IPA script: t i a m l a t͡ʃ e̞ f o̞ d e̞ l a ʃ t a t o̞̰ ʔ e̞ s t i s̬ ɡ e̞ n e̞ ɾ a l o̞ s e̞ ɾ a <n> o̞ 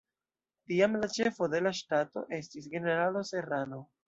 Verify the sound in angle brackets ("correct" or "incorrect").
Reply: correct